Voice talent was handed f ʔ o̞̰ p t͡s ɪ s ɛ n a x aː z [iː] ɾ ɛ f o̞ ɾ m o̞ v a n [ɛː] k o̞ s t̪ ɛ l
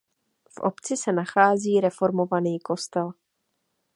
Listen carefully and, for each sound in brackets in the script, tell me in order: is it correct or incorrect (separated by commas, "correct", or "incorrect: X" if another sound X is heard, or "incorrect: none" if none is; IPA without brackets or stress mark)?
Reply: correct, incorrect: iː